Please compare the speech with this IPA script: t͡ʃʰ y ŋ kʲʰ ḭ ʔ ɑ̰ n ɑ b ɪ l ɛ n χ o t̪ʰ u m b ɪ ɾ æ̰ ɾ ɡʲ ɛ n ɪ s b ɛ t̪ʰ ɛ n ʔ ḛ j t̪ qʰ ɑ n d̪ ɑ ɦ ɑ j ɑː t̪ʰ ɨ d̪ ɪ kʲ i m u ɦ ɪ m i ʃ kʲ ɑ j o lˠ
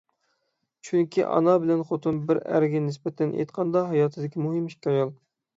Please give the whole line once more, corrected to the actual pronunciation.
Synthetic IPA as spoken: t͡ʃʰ y ŋ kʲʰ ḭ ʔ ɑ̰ n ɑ b ɪ l ɛ n χ o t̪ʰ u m b ɪ ɾ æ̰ ɾ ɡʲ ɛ n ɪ s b ɛ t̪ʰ ɛ n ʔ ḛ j t̪ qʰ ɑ n d̪ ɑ ɦ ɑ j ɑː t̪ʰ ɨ d̪ ɪ kʲ i m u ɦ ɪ m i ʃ kʲ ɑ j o lˠ